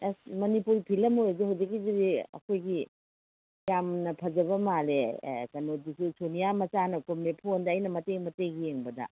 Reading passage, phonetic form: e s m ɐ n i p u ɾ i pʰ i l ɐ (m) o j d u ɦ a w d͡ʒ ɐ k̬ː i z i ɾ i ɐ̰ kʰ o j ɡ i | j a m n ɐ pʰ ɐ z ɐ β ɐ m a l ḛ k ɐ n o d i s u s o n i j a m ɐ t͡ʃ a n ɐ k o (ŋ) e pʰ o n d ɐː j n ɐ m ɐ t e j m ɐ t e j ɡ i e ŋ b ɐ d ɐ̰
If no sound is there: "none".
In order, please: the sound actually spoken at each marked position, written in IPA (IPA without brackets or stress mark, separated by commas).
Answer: m, m